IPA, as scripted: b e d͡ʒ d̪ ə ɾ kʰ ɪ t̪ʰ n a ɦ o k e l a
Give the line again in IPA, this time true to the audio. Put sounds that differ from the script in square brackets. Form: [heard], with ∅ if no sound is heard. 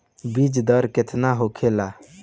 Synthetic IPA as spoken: b [i] d͡ʒ d̪ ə ɾ [k] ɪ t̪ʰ n a ɦ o [kʰ] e l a